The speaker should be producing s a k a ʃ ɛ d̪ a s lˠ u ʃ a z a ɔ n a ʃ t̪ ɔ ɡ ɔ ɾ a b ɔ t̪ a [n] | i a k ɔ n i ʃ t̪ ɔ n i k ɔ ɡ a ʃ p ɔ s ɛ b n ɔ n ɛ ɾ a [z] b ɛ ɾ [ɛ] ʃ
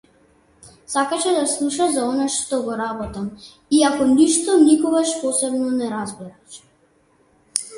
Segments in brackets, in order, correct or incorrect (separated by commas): incorrect, correct, incorrect